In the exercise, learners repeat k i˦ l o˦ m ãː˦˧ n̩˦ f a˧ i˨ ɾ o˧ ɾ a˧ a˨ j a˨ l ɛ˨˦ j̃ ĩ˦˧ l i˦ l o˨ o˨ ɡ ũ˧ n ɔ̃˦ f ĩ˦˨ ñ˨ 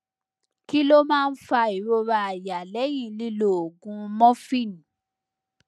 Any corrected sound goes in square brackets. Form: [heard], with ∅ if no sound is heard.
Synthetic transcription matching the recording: k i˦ l o˦ m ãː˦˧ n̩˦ f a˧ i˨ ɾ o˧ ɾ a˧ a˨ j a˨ l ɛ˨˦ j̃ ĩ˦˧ l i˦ l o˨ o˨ ɡ ũ˧ [m] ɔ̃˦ f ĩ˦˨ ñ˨